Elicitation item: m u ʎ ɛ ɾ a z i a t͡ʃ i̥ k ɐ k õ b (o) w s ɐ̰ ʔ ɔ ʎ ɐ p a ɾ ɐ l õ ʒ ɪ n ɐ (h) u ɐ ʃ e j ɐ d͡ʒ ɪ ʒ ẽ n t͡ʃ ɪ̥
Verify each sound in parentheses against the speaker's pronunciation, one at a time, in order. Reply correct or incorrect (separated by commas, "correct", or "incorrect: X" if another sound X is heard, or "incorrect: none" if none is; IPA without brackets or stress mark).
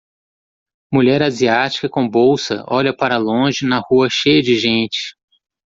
correct, correct